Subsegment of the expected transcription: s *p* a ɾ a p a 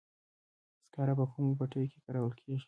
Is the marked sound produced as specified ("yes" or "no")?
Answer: no